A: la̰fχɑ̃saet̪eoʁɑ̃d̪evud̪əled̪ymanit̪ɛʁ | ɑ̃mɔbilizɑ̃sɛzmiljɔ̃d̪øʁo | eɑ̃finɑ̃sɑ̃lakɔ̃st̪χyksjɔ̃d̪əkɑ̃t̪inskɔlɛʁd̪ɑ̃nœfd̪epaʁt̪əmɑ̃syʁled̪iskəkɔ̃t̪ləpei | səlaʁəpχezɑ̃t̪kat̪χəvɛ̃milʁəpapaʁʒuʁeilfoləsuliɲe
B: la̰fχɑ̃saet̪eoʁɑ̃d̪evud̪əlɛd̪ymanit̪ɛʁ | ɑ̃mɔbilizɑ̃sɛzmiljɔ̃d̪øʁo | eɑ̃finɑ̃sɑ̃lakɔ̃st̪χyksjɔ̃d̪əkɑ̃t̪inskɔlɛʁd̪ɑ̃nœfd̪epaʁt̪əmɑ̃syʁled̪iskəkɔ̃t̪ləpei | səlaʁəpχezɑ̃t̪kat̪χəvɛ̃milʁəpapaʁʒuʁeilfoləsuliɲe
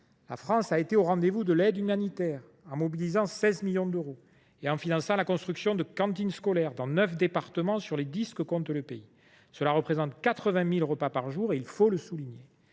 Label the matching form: B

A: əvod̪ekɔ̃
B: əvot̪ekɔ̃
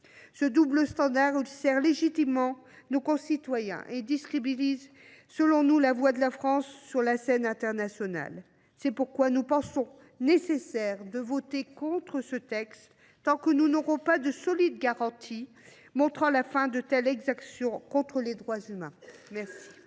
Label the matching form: B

